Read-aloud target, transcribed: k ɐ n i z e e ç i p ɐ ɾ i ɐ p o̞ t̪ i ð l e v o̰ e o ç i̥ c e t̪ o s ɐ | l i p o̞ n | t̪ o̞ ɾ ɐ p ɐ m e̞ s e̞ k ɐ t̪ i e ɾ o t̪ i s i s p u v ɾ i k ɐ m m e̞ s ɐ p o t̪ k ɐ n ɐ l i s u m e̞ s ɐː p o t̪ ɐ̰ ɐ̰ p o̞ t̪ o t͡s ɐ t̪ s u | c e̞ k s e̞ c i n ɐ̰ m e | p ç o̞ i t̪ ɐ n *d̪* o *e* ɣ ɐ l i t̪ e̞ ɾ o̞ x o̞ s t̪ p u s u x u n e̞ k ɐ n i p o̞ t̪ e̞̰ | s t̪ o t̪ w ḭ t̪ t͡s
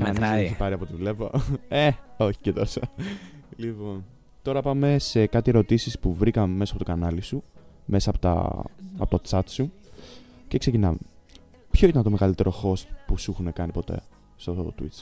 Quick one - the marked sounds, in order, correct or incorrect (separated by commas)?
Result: incorrect, correct